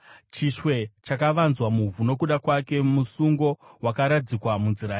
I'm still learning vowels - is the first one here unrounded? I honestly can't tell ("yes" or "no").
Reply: yes